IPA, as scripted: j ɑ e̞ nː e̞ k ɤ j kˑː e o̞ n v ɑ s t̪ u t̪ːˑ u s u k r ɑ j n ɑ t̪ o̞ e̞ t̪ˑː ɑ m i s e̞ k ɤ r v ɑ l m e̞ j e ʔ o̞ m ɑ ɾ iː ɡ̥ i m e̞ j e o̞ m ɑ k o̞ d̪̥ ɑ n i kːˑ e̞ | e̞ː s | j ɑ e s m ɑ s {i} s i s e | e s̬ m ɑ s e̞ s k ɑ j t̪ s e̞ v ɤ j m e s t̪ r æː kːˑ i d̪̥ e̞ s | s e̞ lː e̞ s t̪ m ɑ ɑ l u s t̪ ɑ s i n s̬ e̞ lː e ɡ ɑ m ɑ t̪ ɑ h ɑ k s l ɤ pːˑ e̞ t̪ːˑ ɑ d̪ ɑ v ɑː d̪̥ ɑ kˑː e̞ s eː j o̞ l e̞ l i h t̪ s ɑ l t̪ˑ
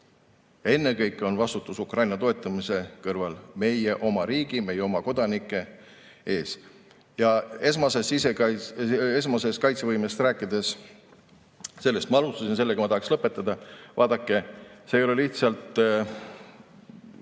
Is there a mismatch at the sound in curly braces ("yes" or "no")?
yes